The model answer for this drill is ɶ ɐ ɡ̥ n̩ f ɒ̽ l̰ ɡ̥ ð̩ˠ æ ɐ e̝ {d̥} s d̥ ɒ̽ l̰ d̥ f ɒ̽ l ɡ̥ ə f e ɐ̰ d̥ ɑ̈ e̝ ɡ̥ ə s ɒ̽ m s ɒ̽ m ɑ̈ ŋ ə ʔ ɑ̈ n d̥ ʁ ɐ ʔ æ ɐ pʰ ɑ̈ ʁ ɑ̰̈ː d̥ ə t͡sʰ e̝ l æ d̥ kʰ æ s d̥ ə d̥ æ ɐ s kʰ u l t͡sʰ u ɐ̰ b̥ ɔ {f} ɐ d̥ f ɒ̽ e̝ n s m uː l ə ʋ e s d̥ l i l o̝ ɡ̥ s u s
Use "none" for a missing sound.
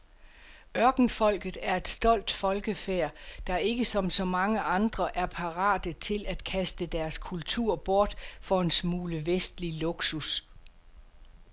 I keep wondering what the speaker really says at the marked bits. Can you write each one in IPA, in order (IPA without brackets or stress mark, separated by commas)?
d̥, none